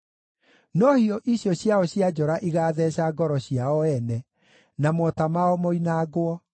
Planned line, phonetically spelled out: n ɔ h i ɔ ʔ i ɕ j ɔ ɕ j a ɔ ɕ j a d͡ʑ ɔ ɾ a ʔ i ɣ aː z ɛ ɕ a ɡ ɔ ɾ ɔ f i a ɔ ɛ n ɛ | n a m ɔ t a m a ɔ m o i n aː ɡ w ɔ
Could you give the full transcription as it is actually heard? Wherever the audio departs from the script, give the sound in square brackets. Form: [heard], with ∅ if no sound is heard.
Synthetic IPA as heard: n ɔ h i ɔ ʔ i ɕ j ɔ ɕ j a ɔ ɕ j a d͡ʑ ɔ ɾ a ʔ i ɣ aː [ð] ɛ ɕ a ɡ ɔ ɾ ɔ [ɕ] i a ɔ ɛ n ɛ | n a m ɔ t a m a ɔ m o i n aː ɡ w ɔ